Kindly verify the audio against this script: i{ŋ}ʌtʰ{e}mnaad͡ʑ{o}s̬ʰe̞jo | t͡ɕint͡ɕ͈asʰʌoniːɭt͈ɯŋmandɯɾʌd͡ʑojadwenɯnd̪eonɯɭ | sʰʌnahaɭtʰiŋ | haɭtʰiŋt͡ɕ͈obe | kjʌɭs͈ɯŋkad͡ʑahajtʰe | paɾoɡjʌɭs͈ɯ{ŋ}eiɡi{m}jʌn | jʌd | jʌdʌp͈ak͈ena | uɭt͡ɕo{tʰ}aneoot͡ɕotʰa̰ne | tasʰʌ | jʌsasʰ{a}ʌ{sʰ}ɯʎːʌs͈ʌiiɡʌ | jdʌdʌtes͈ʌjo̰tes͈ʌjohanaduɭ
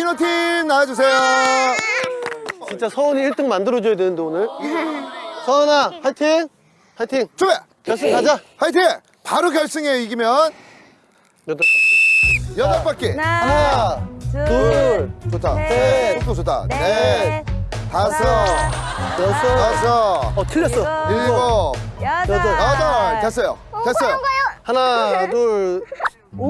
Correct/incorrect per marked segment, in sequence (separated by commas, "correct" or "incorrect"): incorrect, incorrect, incorrect, correct, correct, correct, incorrect, incorrect